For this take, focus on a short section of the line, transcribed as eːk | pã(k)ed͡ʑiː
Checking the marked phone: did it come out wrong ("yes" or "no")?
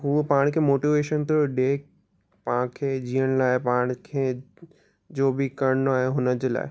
yes